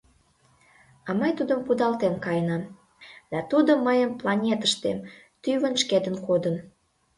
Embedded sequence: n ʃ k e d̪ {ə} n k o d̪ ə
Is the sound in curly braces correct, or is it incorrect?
correct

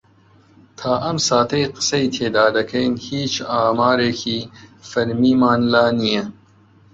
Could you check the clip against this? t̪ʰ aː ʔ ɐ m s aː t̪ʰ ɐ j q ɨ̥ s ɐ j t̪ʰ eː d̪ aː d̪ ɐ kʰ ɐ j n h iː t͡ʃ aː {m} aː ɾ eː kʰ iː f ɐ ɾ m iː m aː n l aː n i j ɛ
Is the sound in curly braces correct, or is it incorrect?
correct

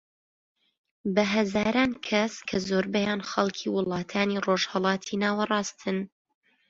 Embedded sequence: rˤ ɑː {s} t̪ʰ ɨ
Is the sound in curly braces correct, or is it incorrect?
correct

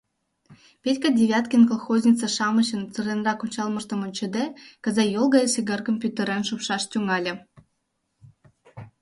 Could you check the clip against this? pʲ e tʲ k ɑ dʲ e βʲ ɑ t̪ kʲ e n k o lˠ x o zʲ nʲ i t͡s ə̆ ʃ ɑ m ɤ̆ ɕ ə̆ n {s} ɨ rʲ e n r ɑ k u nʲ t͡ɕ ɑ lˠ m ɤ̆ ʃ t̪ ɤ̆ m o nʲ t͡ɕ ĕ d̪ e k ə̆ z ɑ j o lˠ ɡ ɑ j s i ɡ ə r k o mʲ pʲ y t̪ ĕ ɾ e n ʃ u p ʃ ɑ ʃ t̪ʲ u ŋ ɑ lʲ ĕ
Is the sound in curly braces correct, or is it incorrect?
incorrect: t͡s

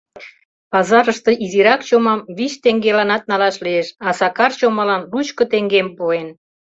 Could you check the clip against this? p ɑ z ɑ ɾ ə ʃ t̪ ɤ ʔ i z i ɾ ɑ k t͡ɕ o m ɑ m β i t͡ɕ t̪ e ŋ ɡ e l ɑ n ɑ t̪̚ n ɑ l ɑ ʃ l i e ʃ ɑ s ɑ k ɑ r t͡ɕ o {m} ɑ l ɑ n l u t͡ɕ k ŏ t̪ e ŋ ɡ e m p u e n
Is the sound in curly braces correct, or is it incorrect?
correct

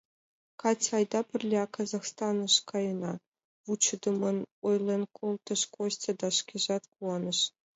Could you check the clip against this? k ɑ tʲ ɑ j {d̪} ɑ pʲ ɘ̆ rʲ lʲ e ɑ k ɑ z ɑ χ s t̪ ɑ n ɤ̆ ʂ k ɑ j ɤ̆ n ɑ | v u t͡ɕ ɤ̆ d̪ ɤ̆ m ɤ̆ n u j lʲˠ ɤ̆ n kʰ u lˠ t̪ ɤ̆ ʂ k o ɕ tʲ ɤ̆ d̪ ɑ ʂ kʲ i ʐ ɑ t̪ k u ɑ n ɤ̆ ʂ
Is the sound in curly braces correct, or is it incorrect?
correct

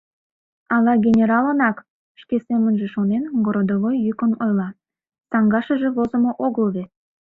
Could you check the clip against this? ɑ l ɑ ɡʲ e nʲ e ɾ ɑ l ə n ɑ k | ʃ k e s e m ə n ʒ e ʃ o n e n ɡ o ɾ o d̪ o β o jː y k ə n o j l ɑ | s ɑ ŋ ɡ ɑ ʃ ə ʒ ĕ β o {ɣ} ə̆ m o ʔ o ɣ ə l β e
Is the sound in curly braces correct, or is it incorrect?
incorrect: z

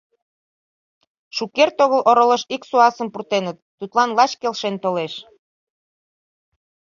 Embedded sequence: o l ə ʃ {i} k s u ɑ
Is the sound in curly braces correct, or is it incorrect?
correct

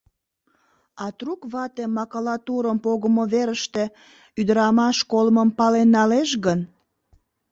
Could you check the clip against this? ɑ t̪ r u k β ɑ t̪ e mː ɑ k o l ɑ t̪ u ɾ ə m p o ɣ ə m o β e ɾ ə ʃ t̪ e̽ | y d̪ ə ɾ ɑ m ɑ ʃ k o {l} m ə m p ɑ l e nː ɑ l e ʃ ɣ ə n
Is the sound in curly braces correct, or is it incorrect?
correct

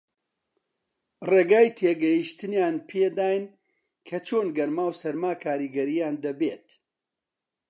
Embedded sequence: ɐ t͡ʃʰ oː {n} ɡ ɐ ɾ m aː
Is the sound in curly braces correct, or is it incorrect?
correct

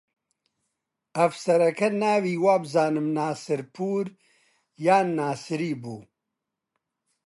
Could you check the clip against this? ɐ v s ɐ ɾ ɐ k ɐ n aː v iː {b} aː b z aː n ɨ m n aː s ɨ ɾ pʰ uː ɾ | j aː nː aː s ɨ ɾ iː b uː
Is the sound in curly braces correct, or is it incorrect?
incorrect: w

